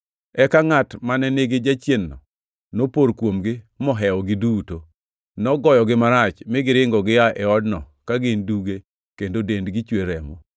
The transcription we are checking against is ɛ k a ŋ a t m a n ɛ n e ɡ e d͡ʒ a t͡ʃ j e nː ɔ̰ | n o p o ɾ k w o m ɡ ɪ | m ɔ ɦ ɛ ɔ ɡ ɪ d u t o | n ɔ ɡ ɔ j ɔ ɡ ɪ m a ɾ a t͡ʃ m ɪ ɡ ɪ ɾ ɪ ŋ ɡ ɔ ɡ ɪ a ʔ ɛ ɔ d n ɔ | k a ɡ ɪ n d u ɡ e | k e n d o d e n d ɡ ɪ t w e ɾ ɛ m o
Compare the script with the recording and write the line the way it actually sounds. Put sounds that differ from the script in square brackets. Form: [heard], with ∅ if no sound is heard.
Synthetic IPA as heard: ɛ k a ŋ a t m a n ɛ n e ɡ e d͡ʒ a t͡ʃ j e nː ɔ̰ | n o p o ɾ k w o m ɡ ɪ | m ɔ ɦ ɛ ɔ ɡ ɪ d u t o | n ɔ ɡ ɔ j ɔ ɡ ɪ m a ɾ a t͡ʃ m ɪ ɡ ɪ ɾ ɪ ŋ ɡ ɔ ɡ ɪ a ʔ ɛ ɔ d n ɔ | k a ɡ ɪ n d u ɡ e | k e n d o d e n d ɡ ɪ [t͡ʃ] w e ɾ ɛ m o